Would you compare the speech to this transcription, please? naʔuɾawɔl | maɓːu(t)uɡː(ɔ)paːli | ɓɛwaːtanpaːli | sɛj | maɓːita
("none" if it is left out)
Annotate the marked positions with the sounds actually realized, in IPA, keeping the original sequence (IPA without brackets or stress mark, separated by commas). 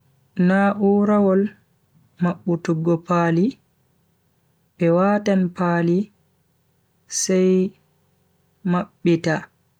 t, ɔ